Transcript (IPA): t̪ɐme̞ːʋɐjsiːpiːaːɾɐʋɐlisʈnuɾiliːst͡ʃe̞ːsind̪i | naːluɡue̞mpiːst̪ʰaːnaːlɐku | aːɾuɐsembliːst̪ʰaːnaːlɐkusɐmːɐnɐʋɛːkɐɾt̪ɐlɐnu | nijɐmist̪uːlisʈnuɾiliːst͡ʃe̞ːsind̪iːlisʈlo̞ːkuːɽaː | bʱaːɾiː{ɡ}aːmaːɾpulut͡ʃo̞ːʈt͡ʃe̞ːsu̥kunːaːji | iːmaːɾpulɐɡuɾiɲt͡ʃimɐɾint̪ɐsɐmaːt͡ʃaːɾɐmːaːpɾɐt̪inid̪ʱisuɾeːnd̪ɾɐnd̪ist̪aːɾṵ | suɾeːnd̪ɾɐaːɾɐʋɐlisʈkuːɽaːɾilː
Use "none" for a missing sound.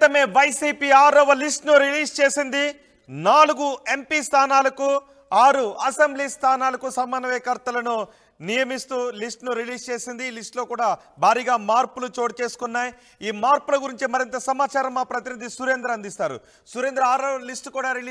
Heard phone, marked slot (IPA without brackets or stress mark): ɡ